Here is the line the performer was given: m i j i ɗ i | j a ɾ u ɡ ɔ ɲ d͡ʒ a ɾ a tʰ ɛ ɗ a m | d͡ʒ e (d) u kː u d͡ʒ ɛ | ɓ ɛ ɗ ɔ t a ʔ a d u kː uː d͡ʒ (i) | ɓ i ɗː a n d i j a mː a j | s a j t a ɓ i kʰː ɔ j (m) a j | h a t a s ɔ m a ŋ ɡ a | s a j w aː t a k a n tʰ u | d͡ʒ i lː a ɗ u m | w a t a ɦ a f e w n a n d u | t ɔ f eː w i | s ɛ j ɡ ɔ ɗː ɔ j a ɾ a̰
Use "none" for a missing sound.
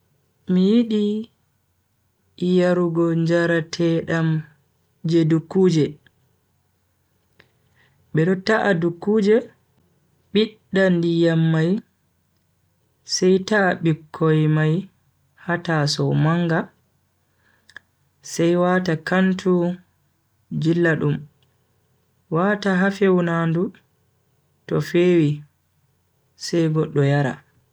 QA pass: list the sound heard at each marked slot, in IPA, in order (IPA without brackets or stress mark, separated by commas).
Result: d, ɛ, m